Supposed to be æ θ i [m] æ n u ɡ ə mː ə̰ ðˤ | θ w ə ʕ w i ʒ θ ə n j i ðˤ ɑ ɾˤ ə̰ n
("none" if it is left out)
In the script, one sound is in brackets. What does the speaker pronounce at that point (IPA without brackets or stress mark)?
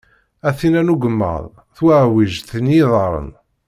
n